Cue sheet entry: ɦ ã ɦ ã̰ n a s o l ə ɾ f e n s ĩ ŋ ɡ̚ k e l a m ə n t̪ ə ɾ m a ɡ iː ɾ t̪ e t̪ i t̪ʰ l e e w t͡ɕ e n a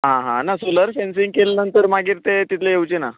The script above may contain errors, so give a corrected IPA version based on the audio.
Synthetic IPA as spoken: ɦ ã ɦ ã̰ n a s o l ə ɾ f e n s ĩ ŋ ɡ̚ k e l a n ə n t̪ ə ɾ m a ɡ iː ɾ t̪ e t̪ i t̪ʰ l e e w t͡ɕ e n a